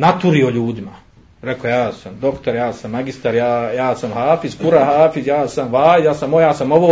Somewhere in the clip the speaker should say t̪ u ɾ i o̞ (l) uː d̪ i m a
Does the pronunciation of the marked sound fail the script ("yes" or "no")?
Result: yes